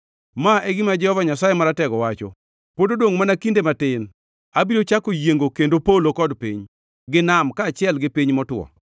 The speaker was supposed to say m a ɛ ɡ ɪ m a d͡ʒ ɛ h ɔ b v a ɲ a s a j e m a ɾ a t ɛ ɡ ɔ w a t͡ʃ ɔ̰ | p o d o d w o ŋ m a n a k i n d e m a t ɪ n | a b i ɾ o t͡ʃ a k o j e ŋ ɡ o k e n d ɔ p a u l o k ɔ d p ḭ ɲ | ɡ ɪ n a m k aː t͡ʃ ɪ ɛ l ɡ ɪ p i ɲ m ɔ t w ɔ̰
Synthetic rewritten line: m a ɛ ɡ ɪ m a d͡ʒ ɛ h ɔ v a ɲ a s a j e m a ɾ a t ɛ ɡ ɔ w a t͡ʃ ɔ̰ | p o d o d w o ŋ m a n a k i n d e m a t ɪ n | a b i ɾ o t͡ʃ a k o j e ŋ ɡ o k e n d o p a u l o k ɔ d p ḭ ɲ | ɡ ɪ n a m k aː t͡ʃ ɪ ɛ l ɡ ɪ p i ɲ m ɔ t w ɔ̰